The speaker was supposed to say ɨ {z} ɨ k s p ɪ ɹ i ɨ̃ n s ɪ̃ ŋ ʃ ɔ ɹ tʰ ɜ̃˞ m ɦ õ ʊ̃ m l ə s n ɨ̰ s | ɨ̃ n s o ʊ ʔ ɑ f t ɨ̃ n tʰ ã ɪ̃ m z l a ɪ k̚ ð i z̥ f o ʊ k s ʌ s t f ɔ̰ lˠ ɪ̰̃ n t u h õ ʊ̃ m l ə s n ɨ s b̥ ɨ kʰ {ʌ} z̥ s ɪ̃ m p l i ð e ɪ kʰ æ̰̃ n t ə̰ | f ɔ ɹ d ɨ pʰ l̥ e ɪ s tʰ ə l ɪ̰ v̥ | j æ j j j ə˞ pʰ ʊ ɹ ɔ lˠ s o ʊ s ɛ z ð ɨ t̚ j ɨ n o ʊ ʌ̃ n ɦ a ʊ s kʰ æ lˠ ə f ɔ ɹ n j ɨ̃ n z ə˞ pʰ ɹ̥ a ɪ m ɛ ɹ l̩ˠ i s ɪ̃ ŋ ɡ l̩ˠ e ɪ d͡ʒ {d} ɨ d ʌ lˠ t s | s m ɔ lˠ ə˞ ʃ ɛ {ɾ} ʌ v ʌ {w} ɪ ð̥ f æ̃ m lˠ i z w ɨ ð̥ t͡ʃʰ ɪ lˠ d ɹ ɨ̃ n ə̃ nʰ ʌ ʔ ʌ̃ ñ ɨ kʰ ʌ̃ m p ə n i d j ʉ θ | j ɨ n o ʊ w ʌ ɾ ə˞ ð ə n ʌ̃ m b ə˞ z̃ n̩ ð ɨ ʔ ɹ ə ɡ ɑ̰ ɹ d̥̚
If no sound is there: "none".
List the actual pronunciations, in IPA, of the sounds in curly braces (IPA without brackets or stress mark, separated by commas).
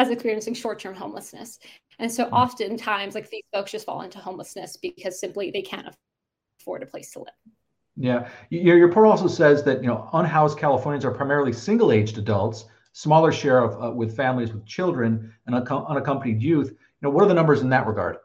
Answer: z, ʌ, d, ɹ, w